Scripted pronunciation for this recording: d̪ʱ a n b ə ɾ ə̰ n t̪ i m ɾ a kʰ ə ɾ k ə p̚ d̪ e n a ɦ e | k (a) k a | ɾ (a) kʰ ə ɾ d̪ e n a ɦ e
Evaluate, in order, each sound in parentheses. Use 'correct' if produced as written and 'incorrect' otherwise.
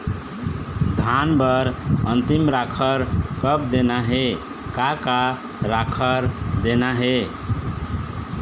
correct, correct

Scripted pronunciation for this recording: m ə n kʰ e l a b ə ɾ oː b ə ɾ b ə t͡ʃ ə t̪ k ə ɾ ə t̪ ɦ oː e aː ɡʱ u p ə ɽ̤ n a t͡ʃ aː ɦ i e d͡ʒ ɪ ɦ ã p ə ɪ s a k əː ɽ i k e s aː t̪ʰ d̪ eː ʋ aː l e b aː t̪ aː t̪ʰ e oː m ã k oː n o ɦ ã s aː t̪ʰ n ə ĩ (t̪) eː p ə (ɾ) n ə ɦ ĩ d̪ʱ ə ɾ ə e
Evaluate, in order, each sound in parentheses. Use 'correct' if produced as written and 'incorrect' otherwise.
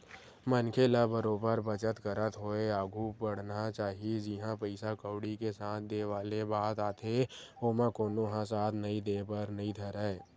incorrect: d̪, correct

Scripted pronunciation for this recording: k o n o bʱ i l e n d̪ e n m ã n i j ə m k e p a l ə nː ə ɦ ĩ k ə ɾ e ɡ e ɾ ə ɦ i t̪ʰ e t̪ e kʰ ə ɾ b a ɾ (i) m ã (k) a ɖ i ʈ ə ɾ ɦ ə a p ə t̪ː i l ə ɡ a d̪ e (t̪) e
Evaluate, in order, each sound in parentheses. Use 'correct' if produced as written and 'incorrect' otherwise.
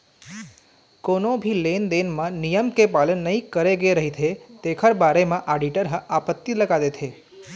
incorrect: e, incorrect: ʔ, incorrect: t̪ʰ

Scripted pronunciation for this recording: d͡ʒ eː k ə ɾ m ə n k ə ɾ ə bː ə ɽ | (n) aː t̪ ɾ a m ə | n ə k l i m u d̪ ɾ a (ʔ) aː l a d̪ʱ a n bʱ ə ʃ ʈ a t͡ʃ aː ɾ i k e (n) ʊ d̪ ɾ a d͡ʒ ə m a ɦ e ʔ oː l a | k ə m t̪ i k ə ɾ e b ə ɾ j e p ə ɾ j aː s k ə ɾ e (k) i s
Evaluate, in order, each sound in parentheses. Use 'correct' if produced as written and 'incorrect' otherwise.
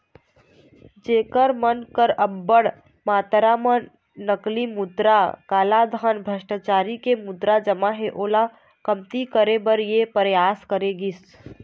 incorrect: m, incorrect: k, incorrect: m, incorrect: ɡ

